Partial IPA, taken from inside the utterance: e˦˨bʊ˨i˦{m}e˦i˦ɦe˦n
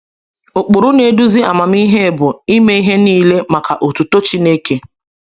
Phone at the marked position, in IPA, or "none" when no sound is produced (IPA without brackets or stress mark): m